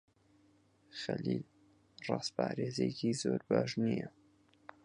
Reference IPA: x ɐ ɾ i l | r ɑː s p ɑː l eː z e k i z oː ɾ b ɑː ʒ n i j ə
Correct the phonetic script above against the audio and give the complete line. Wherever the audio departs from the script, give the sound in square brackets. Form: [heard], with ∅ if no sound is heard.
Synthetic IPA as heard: x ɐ [l] i l | r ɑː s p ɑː [ɾ] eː z e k i z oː ɾ b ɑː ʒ n i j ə